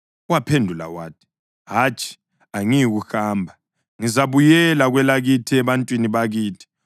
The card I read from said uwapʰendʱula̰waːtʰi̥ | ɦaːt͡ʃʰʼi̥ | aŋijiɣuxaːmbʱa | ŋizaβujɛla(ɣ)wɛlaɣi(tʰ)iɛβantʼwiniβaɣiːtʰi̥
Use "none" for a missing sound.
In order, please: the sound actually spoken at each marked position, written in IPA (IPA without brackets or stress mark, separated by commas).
ɣ, tʰ